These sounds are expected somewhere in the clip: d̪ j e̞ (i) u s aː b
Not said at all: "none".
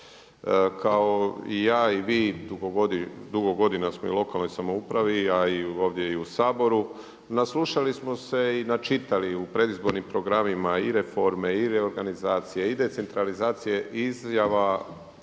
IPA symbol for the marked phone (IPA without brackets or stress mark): i